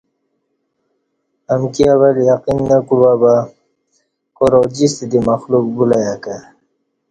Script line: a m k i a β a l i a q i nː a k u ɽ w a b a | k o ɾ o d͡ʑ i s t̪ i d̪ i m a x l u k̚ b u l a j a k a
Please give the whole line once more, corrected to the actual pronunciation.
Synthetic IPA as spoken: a m k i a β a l j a q i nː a k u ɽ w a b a | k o ɾ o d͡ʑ i s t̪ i d̪ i m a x l u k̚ b u l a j a k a